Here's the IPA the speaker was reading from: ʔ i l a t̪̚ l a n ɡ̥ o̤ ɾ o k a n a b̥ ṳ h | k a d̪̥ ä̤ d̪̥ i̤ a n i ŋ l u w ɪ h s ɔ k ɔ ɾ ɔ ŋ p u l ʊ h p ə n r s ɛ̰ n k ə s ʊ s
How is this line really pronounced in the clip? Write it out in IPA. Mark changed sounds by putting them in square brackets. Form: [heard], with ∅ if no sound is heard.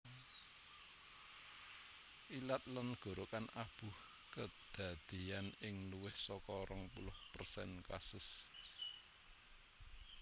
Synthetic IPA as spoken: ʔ i l a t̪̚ l a n ɡ̥ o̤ ɾ o k a n a b̥ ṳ h | k [ə] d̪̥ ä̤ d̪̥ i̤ a n [ɪ] ŋ l u w ɪ h s ɔ k ɔ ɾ ɔ ŋ p u l ʊ h p ə [∅] r s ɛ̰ n k [a] s ʊ s